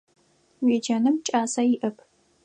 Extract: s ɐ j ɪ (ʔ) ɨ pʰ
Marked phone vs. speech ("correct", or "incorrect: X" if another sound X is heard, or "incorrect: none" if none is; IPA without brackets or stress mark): correct